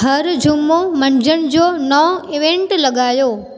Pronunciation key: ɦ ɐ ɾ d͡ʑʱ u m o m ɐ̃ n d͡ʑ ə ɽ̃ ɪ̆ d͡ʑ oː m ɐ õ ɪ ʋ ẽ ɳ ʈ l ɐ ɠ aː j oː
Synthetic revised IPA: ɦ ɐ ɾ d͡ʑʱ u m o m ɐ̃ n d͡ʑ ə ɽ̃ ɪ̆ d͡ʑ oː n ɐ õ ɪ ʋ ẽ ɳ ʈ l ɐ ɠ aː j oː